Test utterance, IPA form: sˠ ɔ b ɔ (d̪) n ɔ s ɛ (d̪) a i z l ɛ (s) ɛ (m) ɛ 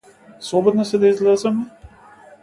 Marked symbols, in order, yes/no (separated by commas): yes, yes, no, yes